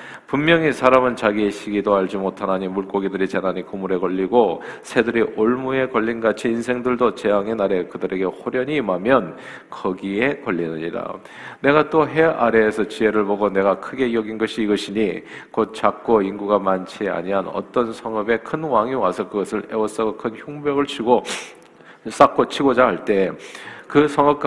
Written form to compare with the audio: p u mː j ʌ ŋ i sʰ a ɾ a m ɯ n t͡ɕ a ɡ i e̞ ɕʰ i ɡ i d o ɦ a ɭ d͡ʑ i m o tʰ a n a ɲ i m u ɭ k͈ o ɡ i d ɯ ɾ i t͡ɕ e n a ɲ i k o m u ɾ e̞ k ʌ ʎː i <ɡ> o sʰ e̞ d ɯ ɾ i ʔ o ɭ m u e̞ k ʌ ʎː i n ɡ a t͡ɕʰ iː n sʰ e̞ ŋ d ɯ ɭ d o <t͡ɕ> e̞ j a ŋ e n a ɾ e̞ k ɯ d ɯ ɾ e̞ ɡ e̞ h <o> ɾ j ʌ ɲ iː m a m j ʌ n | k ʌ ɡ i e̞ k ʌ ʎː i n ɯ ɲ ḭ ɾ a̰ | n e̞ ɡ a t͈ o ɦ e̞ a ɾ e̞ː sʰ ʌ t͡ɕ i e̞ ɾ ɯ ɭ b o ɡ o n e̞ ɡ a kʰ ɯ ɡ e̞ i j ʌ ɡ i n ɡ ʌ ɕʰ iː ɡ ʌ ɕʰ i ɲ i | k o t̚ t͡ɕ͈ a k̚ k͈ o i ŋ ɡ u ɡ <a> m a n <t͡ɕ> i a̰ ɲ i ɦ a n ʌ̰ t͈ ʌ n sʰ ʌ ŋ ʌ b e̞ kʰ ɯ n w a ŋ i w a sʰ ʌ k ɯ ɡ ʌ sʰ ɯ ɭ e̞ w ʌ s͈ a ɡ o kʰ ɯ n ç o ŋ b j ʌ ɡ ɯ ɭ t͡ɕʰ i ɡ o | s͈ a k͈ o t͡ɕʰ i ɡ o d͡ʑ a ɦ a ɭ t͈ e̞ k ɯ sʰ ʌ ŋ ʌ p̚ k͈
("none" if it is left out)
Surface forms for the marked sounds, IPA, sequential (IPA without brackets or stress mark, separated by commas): ɡ, t͡ɕ, o, a, t͡ɕʰ